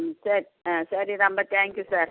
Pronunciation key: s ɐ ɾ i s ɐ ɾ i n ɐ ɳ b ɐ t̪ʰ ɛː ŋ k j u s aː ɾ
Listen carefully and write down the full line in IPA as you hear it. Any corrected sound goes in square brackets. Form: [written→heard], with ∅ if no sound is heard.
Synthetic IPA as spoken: s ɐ ɾ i s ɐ ɾ i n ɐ [ɳ→m] b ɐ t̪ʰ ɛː ŋ k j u s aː ɾ